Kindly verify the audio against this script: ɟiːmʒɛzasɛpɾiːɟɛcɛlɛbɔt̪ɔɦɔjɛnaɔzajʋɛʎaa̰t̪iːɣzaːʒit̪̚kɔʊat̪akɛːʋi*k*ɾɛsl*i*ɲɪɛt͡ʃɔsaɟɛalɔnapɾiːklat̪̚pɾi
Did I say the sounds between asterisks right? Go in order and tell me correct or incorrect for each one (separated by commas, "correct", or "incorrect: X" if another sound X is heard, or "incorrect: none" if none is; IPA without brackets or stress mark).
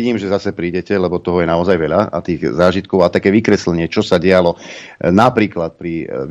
correct, incorrect: ɛ